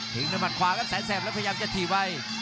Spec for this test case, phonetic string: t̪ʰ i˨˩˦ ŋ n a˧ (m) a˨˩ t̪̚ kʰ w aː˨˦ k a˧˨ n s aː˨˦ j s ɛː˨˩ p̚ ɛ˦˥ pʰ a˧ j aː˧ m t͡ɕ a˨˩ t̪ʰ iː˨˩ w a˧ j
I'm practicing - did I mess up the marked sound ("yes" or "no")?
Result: no